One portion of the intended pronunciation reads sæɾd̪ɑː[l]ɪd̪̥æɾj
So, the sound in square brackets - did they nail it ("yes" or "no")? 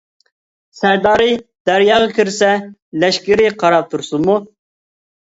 no